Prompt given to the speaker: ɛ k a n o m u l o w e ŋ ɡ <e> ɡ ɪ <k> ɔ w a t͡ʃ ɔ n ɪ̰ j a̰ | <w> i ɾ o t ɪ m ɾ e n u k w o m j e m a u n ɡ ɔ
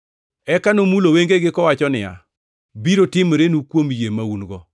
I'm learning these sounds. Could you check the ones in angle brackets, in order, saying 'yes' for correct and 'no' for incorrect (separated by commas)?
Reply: yes, yes, no